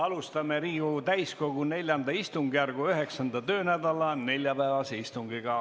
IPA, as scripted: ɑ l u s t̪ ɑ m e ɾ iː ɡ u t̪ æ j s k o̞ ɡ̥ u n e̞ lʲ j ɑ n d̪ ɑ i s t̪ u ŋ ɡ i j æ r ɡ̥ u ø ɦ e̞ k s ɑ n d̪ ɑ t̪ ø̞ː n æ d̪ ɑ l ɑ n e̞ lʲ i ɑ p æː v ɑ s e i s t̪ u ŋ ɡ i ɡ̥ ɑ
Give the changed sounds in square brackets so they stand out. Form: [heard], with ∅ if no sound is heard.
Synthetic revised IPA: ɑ l u s t̪ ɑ m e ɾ iː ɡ u t̪ æ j s k o̞ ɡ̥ u n e̞ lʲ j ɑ n d̪ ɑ i s t̪ u ŋ ɡ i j æ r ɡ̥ u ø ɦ e̞ k s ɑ n d̪ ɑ t̪ ø̞ː n æ d̪ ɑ l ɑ n e̞ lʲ [j] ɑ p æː v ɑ s e i s t̪ u ŋ ɡ i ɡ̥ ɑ